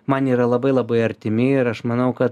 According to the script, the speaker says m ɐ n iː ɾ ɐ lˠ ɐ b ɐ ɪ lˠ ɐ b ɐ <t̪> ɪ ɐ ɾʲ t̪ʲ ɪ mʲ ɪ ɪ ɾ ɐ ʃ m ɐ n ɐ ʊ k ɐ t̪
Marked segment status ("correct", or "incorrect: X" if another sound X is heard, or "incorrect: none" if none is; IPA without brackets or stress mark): incorrect: none